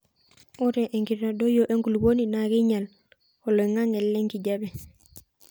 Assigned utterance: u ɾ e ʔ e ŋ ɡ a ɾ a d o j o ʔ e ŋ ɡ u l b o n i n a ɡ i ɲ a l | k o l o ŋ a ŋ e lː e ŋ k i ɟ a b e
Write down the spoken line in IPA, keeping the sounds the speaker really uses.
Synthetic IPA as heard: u ɾ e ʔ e ŋ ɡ i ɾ a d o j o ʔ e ŋ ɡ u l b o n i n a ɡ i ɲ a l | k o l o ŋ a ŋ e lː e ŋ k i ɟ a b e